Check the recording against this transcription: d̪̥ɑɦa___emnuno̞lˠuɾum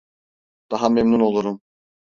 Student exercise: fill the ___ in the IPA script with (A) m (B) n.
A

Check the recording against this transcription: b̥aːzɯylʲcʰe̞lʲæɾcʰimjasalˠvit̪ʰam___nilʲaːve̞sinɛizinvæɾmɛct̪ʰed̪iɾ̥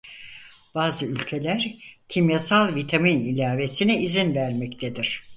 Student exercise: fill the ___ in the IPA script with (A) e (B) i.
B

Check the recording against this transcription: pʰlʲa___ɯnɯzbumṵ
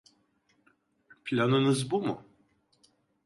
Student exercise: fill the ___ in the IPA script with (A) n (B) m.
A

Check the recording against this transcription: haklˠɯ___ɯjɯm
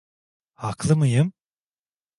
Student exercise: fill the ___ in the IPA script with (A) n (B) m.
B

